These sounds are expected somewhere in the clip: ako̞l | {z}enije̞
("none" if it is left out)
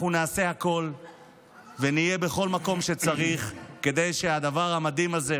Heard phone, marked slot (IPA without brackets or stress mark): v